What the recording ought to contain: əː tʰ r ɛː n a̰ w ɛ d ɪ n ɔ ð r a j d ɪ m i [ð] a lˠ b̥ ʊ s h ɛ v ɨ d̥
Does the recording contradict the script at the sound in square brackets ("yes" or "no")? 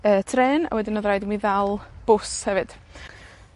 no